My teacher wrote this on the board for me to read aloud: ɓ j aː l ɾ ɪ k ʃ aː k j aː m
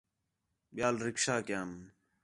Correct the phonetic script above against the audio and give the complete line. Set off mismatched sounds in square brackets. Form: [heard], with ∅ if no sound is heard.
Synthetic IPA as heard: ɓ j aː l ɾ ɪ k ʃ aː k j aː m